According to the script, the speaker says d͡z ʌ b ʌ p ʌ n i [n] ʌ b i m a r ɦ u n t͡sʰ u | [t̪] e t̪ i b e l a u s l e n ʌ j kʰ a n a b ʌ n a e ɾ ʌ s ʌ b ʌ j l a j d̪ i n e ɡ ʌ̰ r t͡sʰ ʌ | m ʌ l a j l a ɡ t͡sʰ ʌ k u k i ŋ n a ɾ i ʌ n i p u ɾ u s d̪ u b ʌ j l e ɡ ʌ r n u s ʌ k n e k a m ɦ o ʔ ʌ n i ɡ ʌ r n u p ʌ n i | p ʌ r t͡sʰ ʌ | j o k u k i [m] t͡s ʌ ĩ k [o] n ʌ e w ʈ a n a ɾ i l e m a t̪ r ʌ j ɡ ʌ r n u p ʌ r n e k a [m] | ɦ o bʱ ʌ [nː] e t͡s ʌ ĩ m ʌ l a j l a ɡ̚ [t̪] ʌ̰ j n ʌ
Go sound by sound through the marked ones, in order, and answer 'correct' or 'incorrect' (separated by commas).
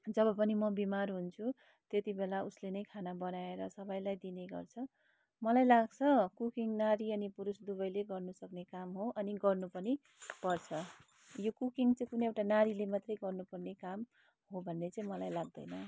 incorrect, correct, incorrect, incorrect, correct, correct, incorrect